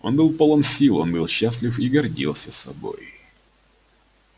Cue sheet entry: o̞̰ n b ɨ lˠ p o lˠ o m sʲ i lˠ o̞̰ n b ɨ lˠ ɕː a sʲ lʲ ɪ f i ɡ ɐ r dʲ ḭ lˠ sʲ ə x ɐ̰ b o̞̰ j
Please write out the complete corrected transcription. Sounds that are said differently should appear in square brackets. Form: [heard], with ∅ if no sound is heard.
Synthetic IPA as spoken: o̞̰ n b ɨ lˠ p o lˠ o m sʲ i lˠ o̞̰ n b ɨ lˠ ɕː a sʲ lʲ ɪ f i ɡ ɐ r dʲ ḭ lˠ sʲ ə [s] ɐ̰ b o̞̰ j